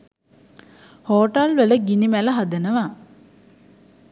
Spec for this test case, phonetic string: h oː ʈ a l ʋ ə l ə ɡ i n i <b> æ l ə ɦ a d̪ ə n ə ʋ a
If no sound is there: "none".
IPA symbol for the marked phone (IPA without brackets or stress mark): m